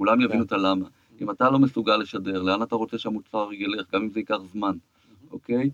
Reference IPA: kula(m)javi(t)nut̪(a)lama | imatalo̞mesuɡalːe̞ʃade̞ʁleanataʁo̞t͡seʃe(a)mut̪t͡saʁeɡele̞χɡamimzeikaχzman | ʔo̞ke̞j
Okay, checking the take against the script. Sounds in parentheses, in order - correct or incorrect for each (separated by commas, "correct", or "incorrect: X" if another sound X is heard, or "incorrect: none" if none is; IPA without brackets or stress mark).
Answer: correct, incorrect: none, correct, correct